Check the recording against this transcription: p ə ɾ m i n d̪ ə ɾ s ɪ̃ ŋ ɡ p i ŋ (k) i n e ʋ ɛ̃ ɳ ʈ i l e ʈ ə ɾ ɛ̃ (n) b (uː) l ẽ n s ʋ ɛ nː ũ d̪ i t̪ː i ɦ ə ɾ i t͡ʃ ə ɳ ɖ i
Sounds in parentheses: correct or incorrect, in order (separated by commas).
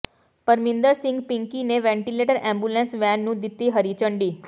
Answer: correct, incorrect, incorrect